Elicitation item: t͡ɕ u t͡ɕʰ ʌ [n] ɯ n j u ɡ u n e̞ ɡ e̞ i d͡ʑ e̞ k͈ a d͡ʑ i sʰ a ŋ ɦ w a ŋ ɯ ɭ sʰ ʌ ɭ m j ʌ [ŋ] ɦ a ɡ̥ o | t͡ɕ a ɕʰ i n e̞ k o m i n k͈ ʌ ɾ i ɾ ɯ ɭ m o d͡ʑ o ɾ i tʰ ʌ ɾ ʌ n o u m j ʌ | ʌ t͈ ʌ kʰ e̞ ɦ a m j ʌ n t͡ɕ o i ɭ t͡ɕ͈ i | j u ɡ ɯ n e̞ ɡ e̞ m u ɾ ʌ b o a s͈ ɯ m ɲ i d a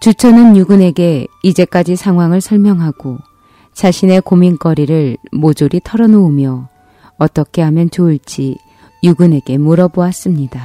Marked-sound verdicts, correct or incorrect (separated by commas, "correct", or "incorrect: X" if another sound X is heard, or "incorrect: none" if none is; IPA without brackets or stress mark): correct, correct